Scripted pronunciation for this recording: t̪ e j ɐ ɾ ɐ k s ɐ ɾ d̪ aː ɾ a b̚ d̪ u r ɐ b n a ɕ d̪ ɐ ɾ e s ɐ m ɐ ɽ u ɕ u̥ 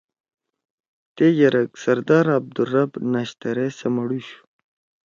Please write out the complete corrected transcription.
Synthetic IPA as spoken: t̪ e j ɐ ɾ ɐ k s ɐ ɾ d̪ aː ɾ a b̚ d̪ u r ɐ b n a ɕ t̪ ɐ ɾ e s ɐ m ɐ ɽ u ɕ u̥